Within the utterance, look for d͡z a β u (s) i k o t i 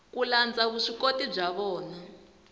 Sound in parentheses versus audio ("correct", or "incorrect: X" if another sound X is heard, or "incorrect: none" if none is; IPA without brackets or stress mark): incorrect: ʂ